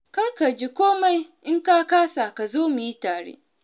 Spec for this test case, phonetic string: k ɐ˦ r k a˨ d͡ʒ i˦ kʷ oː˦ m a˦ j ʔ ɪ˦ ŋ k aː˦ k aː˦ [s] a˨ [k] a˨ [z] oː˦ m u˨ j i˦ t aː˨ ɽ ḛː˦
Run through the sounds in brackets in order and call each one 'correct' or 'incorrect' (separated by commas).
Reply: correct, correct, correct